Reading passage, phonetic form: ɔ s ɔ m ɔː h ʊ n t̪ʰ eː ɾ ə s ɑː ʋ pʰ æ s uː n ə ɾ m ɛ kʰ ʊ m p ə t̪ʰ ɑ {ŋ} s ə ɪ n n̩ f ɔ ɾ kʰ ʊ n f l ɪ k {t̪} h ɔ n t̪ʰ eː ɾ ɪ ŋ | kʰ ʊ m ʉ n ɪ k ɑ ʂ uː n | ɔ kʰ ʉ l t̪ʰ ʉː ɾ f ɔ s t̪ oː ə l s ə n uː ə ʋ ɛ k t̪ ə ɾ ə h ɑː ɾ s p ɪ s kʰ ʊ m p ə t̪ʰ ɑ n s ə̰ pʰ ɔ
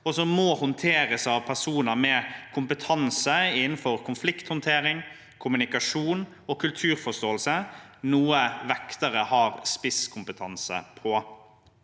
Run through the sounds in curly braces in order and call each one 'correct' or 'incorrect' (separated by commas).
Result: incorrect, correct